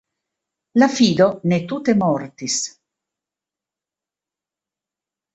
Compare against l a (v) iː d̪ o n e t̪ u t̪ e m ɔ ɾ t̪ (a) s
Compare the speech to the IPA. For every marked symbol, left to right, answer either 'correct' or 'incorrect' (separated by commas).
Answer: incorrect, incorrect